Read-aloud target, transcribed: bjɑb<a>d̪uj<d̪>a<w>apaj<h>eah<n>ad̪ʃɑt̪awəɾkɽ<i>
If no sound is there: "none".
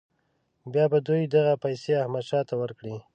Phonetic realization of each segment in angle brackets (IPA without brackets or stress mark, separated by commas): a, d̪, ɣ, s, m, i